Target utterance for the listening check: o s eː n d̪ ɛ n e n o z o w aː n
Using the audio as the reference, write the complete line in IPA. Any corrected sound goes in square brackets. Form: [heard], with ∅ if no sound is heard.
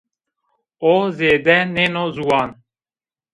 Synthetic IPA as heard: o [z] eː [∅] d̪ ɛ n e n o z [u] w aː n